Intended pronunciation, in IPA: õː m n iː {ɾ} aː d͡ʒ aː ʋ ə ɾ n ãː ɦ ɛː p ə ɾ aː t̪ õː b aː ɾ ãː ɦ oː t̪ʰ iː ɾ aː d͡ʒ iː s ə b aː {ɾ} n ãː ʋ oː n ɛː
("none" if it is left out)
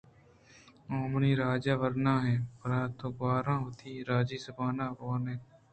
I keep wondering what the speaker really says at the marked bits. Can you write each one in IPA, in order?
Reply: ɾ, none

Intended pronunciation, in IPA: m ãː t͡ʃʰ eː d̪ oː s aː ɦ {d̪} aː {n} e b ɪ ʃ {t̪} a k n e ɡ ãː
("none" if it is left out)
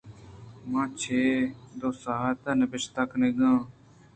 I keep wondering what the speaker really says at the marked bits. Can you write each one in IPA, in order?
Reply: t̪, n, t̪

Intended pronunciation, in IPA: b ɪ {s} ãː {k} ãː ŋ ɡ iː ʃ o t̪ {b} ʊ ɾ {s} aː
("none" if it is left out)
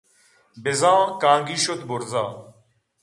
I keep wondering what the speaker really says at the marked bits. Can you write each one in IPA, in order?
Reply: z, k, b, z

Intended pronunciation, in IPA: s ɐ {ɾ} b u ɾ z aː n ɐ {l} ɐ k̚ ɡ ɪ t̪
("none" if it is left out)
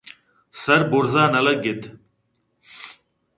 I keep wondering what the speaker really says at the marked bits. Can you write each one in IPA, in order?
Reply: ɾ, l

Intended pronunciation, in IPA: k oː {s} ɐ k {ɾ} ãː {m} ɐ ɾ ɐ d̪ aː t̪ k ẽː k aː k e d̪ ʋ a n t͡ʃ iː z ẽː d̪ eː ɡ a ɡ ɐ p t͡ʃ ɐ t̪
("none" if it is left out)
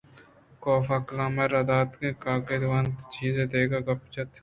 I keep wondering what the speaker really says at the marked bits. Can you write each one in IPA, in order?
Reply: f, l, m

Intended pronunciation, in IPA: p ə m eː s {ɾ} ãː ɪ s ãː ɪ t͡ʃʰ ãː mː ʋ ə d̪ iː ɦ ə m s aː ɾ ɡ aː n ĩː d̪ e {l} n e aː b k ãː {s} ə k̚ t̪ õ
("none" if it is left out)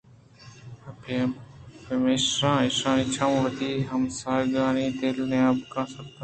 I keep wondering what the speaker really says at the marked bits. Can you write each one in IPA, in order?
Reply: ɾ, l, s

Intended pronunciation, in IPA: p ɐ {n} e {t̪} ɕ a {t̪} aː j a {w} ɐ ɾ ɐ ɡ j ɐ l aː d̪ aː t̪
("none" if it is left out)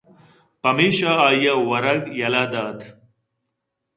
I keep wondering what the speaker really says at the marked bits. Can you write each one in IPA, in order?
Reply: m, none, none, w

